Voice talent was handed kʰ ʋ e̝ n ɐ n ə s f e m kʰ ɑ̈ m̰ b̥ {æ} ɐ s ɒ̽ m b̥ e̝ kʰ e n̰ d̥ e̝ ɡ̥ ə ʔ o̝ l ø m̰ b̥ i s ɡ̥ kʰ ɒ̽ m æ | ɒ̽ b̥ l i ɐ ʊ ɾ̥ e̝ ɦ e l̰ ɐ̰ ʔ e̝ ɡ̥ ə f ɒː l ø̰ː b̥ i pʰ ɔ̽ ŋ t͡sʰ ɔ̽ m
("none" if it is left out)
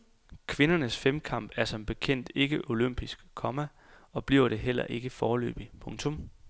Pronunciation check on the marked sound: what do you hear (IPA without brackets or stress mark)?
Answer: æ